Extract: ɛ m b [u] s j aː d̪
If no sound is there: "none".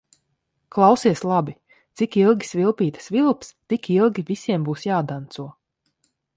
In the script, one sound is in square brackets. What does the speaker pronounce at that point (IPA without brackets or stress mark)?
uː